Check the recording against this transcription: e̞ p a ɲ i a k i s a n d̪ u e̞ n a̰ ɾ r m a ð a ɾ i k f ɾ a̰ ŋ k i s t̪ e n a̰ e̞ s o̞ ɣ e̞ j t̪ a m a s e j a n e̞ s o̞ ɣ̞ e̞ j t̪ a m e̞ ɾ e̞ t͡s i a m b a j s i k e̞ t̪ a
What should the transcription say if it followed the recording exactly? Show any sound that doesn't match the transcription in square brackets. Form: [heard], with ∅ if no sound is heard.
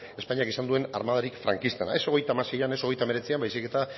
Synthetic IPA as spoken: e̞ p a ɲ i a k i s a n d̪ u e̞ n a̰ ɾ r m a ð a ɾ i k f ɾ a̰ ŋ k i s t̪ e n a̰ e̞ s o̞ ɣ e̞ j t̪ a m a s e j a n e̞ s o̞ ɣ̞ e̞ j t̪ a m e̞ ɾ e̞ t͡s i a m b a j s i k e̞ t̪ a